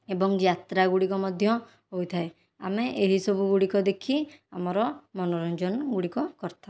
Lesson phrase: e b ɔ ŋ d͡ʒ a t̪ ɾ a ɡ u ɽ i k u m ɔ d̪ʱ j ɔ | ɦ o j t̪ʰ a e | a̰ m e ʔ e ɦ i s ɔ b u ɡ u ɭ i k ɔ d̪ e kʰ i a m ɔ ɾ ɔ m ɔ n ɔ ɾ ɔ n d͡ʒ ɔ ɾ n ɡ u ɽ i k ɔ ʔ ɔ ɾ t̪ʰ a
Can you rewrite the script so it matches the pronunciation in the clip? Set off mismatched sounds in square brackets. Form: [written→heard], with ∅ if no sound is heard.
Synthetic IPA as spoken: e b ɔ ŋ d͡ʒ a t̪ ɾ a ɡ u ɽ i k [u→ɔ] m ɔ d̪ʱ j ɔ | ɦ o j t̪ʰ a e | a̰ m e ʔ e ɦ i s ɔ b u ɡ u [ɭ→ɽ] i k ɔ d̪ e kʰ i a m ɔ ɾ ɔ m ɔ n ɔ ɾ ɔ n d͡ʒ ɔ [ɾ→∅] n ɡ u ɽ i k ɔ [ʔ→k] ɔ ɾ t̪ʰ a